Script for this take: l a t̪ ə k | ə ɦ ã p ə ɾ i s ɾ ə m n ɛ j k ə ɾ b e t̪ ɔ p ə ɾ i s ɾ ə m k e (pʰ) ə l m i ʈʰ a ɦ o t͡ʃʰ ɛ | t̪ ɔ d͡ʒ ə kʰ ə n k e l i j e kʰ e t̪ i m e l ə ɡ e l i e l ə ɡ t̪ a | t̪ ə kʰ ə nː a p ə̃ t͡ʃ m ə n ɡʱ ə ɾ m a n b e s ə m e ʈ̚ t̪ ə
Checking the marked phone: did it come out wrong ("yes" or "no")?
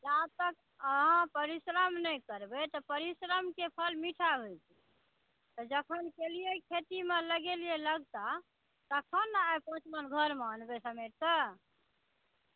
no